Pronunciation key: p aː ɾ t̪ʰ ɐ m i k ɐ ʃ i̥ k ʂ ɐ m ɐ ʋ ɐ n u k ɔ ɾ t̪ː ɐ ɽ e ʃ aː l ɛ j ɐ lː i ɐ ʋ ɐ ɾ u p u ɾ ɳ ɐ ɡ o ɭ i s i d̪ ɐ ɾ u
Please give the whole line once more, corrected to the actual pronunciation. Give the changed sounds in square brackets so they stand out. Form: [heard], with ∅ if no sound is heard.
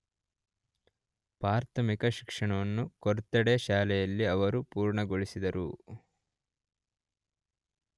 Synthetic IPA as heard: p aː ɾ t̪ʰ ɐ m i k ɐ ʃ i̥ k ʂ ɐ [ɳ] ɐ ʋ ɐ [nː] u k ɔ ɾ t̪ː ɐ ɽ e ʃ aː l ɛ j ɐ lː i ɐ ʋ ɐ ɾ u p [uː] ɾ ɳ ɐ ɡ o ɭ i s i d̪ ɐ ɾ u